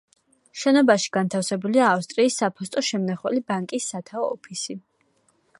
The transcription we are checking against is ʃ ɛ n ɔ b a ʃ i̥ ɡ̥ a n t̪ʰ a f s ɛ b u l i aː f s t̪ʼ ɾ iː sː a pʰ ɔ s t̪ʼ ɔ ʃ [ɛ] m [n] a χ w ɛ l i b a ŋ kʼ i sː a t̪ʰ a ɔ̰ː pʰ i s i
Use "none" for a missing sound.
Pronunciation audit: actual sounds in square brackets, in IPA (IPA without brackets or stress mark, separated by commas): ɛ, n